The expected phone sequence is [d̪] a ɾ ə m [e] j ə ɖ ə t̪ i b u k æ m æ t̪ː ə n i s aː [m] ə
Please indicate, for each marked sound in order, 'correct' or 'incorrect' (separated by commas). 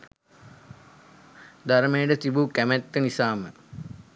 correct, correct, correct